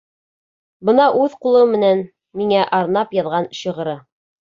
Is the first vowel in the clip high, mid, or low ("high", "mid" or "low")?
mid